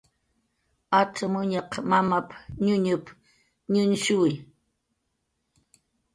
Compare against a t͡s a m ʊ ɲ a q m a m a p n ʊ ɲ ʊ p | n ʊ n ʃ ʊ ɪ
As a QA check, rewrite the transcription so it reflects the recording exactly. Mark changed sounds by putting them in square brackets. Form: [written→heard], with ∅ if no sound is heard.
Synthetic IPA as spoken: a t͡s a m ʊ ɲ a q m a m a p [n→ɲ] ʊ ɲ ʊ p | [n→ɲ] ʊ n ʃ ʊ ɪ

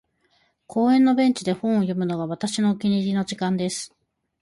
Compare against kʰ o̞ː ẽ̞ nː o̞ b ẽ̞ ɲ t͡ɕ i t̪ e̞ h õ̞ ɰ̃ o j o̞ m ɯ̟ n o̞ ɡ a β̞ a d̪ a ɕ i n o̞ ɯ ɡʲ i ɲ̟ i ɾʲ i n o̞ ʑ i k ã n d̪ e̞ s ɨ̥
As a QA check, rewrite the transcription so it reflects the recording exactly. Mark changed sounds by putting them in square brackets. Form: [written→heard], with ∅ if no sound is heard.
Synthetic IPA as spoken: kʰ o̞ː ẽ̞ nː o̞ b ẽ̞ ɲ t͡ɕ i [t̪→d̪] e̞ h õ̞ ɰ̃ o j o̞ m ɯ̟ n o̞ ɡ a β̞ a [d̪→t̪] a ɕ i n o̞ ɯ [ɡʲ→kʲ] i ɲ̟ i ɾʲ i n o̞ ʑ i k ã n d̪ e̞ s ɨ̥

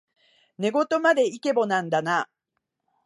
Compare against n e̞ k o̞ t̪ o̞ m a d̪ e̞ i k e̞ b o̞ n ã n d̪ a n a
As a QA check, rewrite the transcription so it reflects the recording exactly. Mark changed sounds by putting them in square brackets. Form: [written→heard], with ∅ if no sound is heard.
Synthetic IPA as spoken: n e̞ [k→ɡ] o̞ t̪ o̞ m a d̪ e̞ i k e̞ b o̞ n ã n d̪ a n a

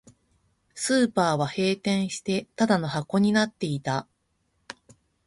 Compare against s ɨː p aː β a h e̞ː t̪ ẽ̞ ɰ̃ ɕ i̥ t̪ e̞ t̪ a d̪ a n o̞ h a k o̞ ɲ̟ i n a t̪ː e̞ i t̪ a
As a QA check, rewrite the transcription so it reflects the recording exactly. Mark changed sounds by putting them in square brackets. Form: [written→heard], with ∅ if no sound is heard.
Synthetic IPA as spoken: s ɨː p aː β a h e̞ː t̪ ẽ̞ ɰ̃ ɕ i̥ t̪ e̞ t̪ a d̪ a n o̞ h a k o̞ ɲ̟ i n a t̪ː e̞ i t̪ a

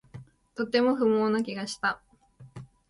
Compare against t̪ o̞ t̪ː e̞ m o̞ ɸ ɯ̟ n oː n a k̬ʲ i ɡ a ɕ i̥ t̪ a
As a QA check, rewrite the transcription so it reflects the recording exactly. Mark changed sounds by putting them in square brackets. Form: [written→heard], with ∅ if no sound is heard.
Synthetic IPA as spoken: t̪ o̞ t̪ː e̞ m o̞ ɸ ɯ̟ [n→m] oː n a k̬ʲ i ɡ a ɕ i̥ t̪ a

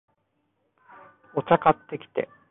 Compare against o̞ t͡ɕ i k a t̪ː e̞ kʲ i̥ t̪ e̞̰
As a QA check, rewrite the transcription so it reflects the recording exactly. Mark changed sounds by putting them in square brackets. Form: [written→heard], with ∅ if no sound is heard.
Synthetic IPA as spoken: o̞ t͡ɕ [i→a] k a t̪ː e̞ kʲ i̥ t̪ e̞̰

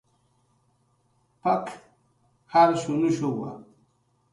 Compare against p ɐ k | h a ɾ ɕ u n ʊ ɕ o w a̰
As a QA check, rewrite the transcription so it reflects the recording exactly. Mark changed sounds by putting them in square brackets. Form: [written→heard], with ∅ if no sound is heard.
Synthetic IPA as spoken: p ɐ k | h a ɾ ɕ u n [ʊ→u] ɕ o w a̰

